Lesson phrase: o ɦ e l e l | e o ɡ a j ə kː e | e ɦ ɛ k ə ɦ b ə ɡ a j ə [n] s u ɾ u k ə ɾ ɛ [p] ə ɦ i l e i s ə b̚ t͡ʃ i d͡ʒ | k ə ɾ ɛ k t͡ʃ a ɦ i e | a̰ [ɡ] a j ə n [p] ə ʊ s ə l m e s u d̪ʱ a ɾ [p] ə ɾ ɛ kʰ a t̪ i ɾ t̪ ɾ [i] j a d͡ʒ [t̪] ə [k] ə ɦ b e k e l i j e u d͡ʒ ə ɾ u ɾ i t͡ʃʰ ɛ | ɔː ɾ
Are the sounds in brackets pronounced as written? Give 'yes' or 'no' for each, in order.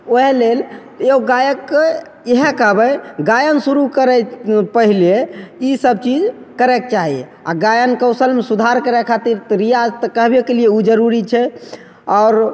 yes, yes, yes, no, no, yes, yes, yes

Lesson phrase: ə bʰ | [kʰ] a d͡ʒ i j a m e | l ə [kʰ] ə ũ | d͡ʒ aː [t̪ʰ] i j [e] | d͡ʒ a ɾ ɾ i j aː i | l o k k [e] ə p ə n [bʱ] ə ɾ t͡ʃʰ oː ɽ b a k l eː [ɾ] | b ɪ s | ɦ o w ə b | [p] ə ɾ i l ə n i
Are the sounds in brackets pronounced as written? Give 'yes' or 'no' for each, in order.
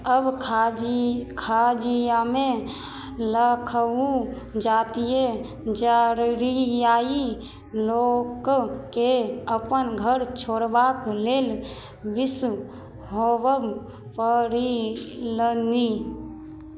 yes, yes, no, yes, yes, no, no, yes

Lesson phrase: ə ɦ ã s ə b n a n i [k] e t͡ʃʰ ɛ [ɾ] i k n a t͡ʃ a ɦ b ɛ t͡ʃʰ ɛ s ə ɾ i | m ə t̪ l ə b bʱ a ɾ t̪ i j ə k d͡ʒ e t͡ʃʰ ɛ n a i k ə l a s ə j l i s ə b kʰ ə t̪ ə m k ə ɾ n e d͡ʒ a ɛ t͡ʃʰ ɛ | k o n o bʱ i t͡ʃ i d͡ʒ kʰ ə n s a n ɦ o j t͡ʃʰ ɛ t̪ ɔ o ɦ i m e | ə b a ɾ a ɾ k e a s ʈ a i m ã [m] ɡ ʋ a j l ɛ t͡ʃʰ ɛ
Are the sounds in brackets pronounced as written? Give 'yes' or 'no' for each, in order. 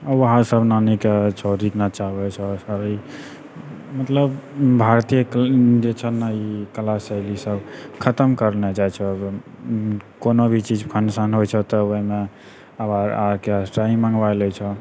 yes, yes, no

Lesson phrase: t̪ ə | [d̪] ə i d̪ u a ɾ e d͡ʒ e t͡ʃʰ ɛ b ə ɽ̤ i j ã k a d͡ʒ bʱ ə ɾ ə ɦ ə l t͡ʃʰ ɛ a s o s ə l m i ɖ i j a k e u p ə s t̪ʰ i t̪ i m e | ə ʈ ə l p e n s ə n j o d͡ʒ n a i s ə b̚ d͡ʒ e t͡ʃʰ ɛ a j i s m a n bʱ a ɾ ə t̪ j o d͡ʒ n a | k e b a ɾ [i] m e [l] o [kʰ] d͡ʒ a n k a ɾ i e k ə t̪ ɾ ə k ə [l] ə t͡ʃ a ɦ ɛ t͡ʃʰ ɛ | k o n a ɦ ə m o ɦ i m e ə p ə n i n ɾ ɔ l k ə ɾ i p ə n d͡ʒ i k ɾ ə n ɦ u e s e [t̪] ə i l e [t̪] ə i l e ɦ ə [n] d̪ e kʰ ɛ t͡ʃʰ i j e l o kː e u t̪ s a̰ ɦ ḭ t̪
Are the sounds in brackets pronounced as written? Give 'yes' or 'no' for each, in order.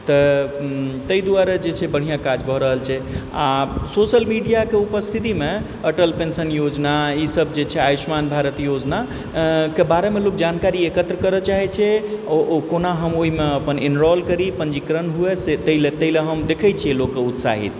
no, no, yes, no, no, yes, yes, no

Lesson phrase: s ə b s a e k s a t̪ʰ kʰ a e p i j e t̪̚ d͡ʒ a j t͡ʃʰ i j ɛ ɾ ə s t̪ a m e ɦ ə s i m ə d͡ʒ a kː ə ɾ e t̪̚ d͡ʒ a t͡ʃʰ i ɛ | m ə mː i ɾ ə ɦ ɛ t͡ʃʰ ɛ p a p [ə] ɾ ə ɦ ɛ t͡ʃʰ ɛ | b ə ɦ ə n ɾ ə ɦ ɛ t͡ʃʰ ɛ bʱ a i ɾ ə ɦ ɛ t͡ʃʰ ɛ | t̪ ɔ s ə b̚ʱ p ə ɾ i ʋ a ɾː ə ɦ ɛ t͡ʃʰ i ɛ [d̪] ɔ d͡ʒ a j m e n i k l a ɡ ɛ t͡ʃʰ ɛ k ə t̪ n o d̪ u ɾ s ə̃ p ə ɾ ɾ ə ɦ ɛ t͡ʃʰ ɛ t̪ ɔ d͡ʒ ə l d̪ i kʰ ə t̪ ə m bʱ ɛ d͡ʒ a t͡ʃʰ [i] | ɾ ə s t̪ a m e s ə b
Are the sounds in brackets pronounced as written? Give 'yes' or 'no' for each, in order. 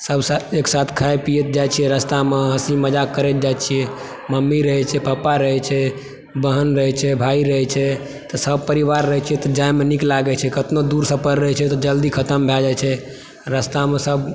no, no, no

